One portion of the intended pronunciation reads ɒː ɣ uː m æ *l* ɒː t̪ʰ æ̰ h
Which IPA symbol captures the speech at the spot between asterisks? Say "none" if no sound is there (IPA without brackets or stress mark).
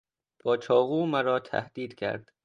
ɾ